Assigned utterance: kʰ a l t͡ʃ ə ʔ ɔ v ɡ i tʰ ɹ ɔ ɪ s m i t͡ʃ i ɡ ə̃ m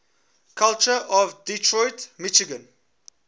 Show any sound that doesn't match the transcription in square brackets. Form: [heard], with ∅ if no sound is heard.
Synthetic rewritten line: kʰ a l t͡ʃ ə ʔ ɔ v [d] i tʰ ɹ ɔ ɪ [t] m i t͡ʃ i ɡ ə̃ [n]